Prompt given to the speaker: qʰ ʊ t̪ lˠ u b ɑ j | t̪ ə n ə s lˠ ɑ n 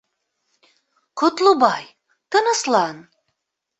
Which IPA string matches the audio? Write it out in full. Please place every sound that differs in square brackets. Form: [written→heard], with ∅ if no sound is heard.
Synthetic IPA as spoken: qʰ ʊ t̪ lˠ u b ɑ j | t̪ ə n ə s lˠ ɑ n